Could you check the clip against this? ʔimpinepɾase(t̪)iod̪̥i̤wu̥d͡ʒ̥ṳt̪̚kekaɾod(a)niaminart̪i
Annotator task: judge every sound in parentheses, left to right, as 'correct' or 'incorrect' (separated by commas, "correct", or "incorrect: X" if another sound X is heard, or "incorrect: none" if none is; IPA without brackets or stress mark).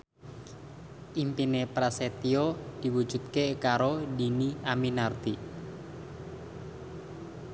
correct, incorrect: i